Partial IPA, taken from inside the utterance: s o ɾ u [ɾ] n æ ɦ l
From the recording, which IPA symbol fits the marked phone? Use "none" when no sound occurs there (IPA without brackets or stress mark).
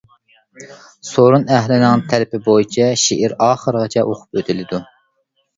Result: none